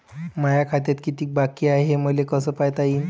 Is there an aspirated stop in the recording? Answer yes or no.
yes